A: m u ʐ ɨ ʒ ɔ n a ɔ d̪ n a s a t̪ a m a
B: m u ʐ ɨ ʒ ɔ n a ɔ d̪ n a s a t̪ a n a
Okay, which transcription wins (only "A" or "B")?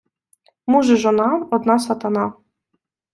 B